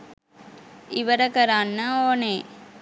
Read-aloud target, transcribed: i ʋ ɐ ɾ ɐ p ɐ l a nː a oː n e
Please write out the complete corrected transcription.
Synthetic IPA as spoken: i ʋ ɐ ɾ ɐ k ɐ ɾ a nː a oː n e